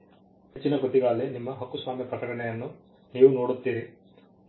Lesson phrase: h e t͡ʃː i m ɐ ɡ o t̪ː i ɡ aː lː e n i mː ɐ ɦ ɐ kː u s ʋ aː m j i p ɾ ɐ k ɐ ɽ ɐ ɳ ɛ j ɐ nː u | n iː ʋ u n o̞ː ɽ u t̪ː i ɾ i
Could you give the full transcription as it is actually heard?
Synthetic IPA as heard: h e t͡ʃː i n ɐ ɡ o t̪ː i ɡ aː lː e n i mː ɐ ɦ ɐ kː u s ʋ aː m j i p ɾ ɐ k ɐ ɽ ɐ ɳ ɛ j ɐ nː u | n iː ʋ u n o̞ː ɽ u t̪ː iː ɾ i